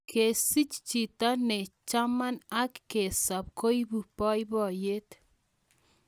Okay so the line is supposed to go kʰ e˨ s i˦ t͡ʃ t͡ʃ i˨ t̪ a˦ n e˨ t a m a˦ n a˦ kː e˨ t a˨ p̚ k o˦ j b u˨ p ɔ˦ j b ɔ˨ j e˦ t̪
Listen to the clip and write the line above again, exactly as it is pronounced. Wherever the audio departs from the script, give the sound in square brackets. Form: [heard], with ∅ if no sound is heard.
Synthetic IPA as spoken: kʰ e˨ s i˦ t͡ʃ t͡ʃ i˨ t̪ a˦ n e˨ [t͡ʃ] a m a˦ n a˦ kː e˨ [s] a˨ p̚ k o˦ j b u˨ p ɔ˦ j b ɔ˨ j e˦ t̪